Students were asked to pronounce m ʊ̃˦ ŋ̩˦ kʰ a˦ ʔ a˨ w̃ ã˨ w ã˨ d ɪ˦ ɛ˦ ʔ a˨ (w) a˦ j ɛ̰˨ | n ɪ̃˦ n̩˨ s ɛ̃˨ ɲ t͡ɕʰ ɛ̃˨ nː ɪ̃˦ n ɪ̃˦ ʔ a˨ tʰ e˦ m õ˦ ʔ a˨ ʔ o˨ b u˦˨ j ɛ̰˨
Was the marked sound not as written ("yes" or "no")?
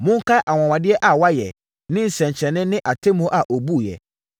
no